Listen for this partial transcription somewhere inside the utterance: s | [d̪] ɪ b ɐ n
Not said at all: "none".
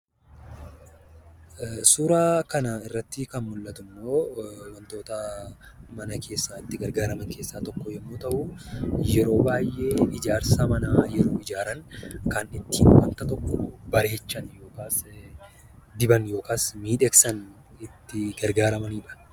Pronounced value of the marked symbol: d̪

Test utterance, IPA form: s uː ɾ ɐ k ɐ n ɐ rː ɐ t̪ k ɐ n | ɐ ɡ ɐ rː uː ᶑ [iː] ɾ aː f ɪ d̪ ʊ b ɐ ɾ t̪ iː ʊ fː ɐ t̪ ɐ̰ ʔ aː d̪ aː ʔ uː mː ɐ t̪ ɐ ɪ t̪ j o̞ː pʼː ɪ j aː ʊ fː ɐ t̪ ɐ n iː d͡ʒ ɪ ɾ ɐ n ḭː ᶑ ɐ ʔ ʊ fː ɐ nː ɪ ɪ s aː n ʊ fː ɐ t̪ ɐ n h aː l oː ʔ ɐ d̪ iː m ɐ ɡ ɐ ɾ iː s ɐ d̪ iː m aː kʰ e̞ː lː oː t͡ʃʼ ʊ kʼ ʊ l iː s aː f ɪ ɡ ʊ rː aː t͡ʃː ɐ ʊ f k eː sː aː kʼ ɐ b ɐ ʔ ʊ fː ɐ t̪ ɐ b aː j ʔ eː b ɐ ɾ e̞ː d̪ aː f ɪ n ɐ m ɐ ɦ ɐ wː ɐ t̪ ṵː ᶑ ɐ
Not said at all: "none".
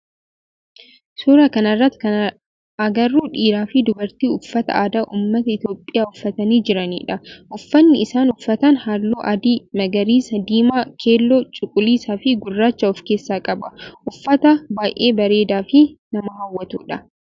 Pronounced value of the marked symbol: iː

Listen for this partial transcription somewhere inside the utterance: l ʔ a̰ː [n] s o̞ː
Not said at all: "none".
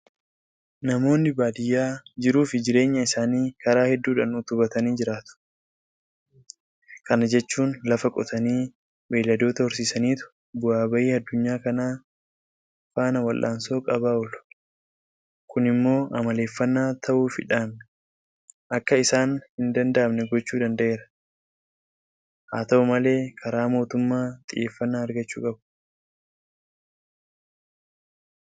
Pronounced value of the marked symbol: n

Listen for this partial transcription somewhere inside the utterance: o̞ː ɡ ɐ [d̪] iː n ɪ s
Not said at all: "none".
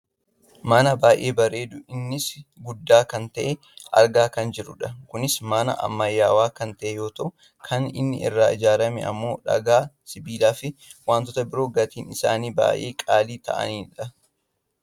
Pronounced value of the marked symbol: t̪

